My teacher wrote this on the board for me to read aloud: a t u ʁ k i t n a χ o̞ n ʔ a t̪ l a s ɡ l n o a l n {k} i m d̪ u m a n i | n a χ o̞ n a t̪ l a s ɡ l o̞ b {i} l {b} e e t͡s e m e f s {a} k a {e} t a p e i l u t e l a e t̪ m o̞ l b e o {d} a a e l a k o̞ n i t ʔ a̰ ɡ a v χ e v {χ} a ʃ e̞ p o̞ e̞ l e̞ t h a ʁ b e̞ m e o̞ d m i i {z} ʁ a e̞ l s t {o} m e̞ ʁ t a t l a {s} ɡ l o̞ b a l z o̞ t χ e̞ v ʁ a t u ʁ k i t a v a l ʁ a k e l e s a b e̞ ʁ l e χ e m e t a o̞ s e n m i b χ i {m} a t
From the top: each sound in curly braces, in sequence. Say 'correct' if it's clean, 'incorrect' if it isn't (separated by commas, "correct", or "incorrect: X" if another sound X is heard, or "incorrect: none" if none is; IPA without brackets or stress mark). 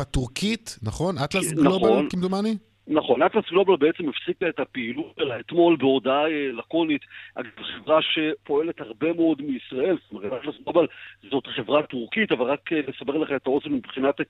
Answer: correct, incorrect: a, correct, incorrect: i, correct, correct, incorrect: ʁ, incorrect: s, correct, correct, incorrect: n